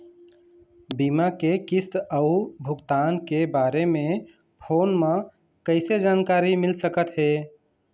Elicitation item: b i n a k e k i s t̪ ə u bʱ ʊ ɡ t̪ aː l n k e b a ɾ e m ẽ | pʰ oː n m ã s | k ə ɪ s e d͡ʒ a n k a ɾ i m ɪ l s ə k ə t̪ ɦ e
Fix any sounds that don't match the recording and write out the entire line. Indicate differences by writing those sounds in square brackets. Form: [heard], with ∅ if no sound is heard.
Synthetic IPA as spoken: b i [m] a k e k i s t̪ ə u bʱ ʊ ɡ t̪ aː [∅] n k e b a ɾ e m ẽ | pʰ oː n m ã [∅] | k ə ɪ s e d͡ʒ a n k a ɾ i m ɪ l s ə k ə t̪ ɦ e